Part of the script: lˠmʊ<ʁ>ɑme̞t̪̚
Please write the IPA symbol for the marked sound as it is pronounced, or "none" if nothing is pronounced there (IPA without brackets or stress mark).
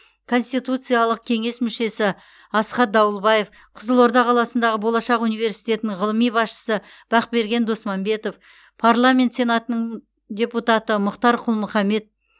χ